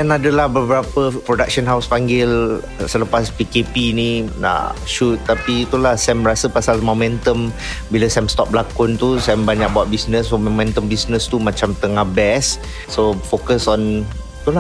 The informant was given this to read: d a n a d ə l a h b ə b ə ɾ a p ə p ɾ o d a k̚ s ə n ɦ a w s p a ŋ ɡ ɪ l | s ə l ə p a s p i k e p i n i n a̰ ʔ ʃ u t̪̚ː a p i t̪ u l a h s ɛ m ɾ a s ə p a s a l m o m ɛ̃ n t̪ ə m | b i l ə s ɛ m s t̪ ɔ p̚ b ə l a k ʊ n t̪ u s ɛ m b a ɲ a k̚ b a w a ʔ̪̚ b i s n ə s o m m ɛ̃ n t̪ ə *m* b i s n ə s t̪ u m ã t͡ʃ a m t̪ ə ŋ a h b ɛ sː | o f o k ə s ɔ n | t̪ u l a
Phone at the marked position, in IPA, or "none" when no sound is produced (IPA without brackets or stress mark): m